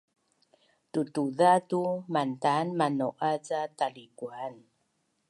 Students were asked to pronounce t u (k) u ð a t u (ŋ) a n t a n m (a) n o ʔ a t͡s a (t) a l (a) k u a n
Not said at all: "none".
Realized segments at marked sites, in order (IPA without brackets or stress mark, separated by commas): t, m, a, t, i